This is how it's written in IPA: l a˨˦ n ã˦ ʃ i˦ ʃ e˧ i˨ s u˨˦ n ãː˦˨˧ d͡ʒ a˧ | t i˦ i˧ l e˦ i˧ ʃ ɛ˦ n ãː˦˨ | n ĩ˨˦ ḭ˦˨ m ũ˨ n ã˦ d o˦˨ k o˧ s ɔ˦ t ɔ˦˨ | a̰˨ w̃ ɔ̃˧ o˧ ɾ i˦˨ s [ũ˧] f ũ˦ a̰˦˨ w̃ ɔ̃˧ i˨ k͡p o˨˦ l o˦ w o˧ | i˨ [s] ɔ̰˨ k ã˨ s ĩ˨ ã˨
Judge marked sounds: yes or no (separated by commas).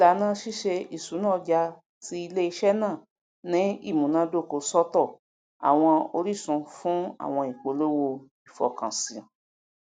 yes, no